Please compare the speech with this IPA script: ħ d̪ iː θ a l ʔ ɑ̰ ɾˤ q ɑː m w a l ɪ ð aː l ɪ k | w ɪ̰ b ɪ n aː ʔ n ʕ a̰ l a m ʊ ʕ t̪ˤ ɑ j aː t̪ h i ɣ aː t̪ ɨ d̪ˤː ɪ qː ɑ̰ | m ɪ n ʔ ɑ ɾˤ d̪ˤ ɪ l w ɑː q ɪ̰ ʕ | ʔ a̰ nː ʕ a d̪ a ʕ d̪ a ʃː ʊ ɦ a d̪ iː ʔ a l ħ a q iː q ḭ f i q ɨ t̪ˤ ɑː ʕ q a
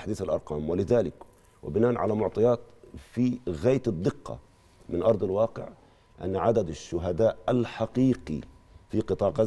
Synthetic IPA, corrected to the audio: ħ d̪ iː θ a l ʔ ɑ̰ ɾˤ q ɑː m w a l ɪ ð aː l ɪ k | w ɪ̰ b ɪ n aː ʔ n ʕ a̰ l a m ʊ ʕ t̪ˤ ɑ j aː t̪ f i ɣ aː t̪ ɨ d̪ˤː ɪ qː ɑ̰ | m ɪ n ʔ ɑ ɾˤ d̪ˤ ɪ l w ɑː q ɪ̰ ʕ | ʔ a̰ nː ʕ a d̪ a d̪ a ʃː ʊ ɦ a d̪ aː ʔ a l ħ a q iː q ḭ f i q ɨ t̪ˤ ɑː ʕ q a